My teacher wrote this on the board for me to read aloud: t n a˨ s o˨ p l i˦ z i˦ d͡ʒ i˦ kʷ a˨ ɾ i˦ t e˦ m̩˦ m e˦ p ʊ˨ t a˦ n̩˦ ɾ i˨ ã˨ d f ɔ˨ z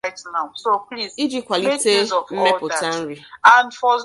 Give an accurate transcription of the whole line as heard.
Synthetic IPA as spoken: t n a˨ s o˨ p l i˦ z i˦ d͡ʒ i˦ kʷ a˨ l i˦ t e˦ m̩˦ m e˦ p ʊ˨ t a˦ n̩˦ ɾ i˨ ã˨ n f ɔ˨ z